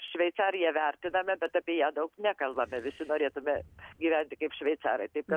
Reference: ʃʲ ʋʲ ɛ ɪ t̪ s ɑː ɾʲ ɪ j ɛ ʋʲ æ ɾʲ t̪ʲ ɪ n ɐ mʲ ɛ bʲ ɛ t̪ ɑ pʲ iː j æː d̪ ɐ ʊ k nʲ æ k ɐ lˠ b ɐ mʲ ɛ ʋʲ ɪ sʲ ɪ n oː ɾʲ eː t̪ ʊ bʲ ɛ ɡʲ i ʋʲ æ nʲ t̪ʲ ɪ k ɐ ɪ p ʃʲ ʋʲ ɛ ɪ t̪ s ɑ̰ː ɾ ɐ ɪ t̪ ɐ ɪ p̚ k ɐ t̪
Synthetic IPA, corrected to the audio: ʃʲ ʋʲ ɛ ɪ t̪ s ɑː ɾʲ ɪ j ɛ ʋʲ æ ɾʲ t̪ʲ ɪ n ɐ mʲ ɛ bʲ ɛ t̪ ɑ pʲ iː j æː d̪ ɐ ʊ k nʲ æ k ɐ lˠ b ɐ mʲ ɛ ʋʲ ɪ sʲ ɪ n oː ɾʲ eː t̪ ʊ mʲ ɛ ɡʲ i ʋʲ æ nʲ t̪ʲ ɪ k ɐ ɪ p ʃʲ ʋʲ ɛ ɪ t̪ s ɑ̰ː ɾ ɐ ɪ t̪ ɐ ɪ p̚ k ɐ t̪

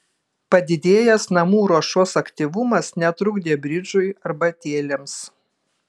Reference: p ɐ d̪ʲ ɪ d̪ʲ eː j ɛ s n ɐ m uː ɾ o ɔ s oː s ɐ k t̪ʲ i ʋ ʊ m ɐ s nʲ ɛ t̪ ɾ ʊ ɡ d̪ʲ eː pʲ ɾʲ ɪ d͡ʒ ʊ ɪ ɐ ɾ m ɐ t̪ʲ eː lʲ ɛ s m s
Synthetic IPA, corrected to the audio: p ɐ d̪ʲ ɪ d̪ʲ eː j ɛ s n ɐ m uː ɾ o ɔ ʃ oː s ɐ k t̪ʲ i ʋ ʊ m ɐ s nʲ ɛ t̪ ɾ ʊ ɡ d̪ʲ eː bʲ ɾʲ ɪ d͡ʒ ʊ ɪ ɐ ɾ b ɐ t̪ʲ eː lʲ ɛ m s

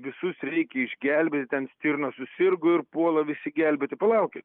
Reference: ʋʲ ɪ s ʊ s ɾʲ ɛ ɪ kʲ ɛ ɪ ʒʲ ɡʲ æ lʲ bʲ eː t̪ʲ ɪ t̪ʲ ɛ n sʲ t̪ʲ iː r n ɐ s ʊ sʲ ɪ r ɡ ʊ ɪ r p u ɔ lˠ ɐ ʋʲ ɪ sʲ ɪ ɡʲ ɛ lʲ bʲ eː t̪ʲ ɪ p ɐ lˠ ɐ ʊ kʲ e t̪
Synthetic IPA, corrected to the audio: ʋʲ ɪ s ʊ s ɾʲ ɛ ɪ kʲ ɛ ɪ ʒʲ ɡʲ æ lʲ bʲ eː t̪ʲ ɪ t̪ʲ ɛ n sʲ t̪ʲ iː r n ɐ s ʊ sʲ ɪ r ɡ ʊ ɪ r p u ɔ lˠ ɐ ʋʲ ɪ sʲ ɪ ɡʲ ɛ lʲ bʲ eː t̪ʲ ɪ p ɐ lˠ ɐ ʊ kʲ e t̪

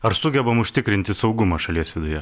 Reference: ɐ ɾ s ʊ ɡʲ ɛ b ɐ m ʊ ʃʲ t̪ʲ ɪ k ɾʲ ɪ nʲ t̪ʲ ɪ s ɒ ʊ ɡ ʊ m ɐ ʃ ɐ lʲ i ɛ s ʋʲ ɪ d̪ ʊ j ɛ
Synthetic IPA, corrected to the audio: ɐ ɾ s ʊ ɡʲ ɛ b ɐ m ʊ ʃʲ t̪ʲ ɪ k ɾʲ ɪ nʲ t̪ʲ ɪ s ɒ ʊ ɡ ʊ m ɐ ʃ ɐ lʲ i ɛ s ʋʲ ɪ d̪ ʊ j ɛ

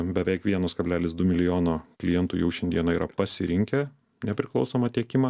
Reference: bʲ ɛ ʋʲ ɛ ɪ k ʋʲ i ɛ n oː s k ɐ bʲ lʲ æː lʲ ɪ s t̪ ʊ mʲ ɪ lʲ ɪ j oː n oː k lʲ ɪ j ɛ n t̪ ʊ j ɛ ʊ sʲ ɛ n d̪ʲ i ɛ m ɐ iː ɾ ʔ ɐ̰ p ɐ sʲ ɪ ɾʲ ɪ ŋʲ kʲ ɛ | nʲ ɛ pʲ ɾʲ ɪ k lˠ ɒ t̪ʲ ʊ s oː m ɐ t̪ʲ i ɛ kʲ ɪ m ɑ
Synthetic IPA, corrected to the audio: bʲ ɛ ʋʲ ɛ ɪ k ʋʲ i ɛ n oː s k ɐ bʲ lʲ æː lʲ ɪ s d̪ ʊ mʲ ɪ lʲ ɪ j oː n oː k lʲ ɪ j ɛ n t̪ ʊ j ɛ ʊ ʃʲ ɛ n d̪ʲ i ɛ n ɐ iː ɾ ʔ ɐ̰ p ɐ sʲ ɪ ɾʲ ɪ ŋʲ kʲ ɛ | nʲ ɛ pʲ ɾʲ ɪ k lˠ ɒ ʊ s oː m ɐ t̪ʲ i ɛ kʲ ɪ m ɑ

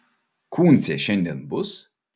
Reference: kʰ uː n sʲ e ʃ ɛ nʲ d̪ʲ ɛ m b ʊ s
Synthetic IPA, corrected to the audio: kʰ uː n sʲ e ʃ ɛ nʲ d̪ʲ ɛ n b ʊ s

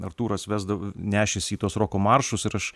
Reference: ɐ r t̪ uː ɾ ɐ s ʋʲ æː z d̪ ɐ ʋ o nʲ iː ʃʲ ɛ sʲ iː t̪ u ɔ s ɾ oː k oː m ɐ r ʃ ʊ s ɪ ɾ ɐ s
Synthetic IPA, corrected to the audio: ɐ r t̪ uː ɾ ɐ s ʋʲ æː z d̪ ɐ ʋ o nʲ æː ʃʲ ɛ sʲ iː t̪ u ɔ s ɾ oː k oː m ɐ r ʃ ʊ s ɪ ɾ ɐ ʃ

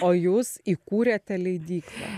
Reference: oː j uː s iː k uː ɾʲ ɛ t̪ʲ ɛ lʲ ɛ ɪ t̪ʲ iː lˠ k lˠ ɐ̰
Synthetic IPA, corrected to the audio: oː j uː s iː k uː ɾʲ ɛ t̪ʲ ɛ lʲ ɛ ɪ d̪ʲ iː k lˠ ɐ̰

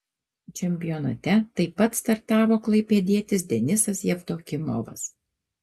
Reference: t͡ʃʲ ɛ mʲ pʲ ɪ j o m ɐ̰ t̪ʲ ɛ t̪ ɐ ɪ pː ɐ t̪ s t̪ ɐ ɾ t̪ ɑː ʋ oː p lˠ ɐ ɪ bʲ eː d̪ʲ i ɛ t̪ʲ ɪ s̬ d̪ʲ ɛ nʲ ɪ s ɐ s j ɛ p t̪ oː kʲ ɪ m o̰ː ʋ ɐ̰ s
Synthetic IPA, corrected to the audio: t͡ʃʲ ɛ mʲ pʲ ɪ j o n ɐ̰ t̪ʲ ɛ t̪ ɐ ɪ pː ɐ t̪ s t̪ ɐ ɾ t̪ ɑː ʋ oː k lˠ ɐ ɪ pʲ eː d̪ʲ i ɛ t̪ʲ ɪ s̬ d̪ʲ ɛ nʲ ɪ s ɐ s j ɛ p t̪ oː kʲ ɪ m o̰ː ʋ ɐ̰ s

